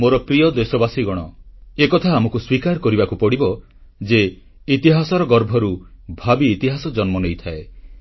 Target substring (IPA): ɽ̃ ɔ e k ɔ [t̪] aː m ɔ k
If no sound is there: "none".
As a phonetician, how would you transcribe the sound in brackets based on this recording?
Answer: t̪ʰ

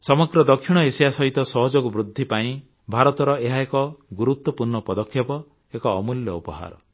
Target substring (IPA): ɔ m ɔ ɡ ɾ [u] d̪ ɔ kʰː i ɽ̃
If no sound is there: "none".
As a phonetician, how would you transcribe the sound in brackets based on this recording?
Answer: ɔ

